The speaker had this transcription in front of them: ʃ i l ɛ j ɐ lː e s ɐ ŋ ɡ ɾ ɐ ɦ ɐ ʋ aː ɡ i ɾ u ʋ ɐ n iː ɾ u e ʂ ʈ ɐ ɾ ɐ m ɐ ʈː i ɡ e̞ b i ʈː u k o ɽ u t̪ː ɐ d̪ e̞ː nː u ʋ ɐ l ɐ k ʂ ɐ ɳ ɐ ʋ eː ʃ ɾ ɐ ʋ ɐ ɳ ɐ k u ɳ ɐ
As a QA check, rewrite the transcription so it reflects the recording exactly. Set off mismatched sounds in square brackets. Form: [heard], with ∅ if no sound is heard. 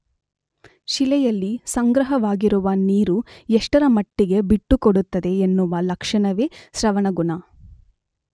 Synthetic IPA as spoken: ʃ i l ɛ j ɐ lː [i] s ɐ ŋ ɡ ɾ ɐ ɦ ɐ ʋ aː ɡ i ɾ u ʋ ɐ n iː ɾ u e ʂ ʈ ɐ ɾ ɐ m ɐ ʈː i ɡ e̞ b i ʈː u k o ɽ u t̪ː ɐ d̪ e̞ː nː u ʋ ɐ l ɐ k ʂ ɐ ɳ ɐ ʋ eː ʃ ɾ ɐ ʋ ɐ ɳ ɐ [ɡ] u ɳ ɐ